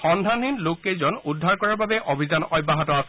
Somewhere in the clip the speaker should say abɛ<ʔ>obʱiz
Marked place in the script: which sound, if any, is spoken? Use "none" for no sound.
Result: ʔ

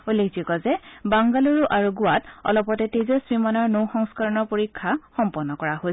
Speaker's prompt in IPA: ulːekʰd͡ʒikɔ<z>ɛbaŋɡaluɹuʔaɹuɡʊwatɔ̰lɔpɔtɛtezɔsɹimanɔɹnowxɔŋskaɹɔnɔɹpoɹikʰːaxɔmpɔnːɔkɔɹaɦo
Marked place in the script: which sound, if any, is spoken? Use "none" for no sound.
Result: z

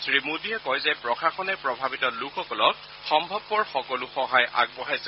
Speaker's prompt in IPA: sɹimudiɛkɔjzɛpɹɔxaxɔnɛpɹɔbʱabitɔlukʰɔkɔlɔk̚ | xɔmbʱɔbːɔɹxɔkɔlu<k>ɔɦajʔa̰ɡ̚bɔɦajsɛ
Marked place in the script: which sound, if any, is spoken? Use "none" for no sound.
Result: x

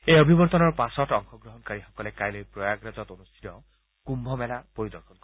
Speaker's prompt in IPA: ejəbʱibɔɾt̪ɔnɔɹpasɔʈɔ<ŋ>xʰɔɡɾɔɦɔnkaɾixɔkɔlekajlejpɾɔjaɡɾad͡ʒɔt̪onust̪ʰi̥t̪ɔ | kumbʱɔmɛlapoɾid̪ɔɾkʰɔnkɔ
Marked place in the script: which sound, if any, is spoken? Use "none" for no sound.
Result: ŋ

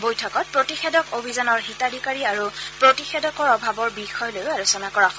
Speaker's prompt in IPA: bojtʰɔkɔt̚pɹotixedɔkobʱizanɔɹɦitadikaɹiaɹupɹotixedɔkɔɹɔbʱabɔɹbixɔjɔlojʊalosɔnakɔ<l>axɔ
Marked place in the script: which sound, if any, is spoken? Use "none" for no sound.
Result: ɹ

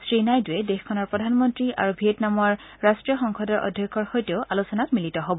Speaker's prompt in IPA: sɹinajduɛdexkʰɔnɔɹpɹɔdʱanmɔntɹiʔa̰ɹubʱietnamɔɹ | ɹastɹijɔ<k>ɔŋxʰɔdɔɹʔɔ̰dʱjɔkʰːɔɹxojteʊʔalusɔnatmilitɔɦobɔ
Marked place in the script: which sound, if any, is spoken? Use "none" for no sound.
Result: x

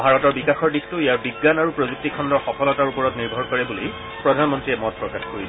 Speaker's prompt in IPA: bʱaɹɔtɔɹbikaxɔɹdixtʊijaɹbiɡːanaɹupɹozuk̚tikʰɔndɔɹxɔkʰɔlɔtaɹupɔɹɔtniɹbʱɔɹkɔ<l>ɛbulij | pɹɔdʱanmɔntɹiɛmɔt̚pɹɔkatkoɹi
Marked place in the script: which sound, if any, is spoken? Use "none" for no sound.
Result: ɹ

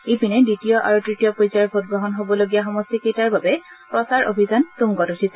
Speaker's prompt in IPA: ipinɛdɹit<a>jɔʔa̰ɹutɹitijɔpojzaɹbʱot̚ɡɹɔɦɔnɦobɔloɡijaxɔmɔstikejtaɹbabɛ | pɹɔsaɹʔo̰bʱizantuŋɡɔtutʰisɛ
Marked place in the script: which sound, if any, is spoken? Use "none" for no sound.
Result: i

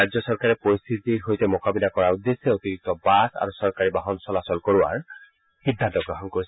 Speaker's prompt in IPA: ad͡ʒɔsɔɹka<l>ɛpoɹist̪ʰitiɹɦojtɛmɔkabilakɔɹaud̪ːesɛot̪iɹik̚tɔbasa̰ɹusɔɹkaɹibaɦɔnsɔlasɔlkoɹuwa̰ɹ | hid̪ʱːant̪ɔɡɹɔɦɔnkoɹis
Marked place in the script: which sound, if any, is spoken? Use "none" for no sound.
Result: ɹ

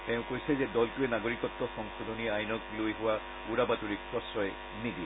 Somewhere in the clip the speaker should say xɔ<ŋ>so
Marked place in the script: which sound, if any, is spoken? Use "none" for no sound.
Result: ŋ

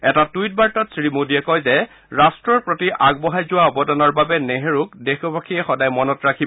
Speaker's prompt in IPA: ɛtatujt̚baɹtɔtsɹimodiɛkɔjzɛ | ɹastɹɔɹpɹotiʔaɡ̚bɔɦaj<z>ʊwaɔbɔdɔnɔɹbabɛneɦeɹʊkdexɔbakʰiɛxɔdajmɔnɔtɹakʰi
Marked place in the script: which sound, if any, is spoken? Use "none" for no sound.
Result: z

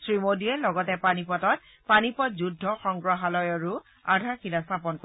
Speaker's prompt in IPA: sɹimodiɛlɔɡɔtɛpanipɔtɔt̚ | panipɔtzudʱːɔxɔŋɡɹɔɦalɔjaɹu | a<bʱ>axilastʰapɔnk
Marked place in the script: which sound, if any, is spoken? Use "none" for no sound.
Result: dʱ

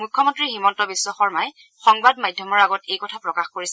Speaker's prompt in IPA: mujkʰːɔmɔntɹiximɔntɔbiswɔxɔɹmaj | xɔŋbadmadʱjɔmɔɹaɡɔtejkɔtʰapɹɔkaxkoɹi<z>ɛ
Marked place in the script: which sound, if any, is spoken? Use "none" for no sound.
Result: s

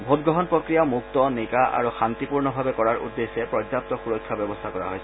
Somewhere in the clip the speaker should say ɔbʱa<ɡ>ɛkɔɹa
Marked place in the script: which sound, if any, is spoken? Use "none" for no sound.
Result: b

